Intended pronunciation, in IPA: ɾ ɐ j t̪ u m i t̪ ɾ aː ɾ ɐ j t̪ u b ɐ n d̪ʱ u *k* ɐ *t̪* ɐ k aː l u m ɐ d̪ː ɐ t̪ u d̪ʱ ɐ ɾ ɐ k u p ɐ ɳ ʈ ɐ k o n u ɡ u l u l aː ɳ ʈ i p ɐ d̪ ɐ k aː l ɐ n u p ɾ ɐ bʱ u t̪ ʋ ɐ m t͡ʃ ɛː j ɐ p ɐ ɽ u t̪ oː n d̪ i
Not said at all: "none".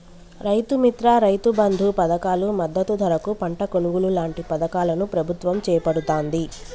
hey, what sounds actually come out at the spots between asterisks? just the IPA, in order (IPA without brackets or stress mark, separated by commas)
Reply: p, d̪